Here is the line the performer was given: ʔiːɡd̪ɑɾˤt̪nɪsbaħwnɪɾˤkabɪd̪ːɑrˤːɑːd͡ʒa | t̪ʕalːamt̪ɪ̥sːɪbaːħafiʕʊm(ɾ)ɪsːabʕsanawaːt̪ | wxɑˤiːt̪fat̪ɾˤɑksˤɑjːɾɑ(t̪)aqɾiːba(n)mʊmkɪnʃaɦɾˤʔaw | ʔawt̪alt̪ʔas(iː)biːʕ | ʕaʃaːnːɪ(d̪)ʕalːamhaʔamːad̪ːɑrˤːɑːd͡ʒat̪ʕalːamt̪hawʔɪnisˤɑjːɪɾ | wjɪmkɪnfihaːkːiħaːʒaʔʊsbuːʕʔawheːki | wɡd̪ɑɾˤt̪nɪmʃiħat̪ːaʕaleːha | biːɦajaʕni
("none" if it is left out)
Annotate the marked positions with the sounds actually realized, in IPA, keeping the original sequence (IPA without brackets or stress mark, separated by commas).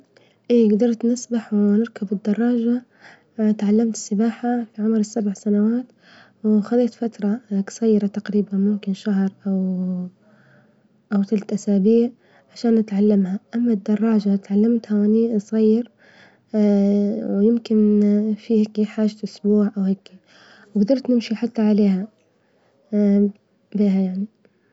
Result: ɾ, t̪, n, aː, t̪